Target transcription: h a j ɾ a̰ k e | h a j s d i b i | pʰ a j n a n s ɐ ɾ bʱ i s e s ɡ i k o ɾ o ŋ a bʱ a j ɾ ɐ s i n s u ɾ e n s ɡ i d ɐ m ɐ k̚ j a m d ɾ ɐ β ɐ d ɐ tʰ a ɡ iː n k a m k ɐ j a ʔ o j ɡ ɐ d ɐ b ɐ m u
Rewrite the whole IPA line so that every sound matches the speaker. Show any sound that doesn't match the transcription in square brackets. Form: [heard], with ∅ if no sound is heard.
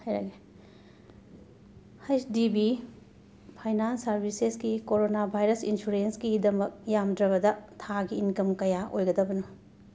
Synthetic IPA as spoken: h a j ɾ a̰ [ɡ] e | h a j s d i b i | pʰ a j n a n s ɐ ɾ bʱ i s e s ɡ i k o ɾ o [n] a bʱ a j ɾ ɐ s i n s u ɾ e n s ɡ i d ɐ m ɐ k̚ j a m d ɾ ɐ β ɐ d ɐ tʰ a ɡ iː n k [ɐ] m k ɐ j a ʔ o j ɡ ɐ d ɐ b ɐ [n] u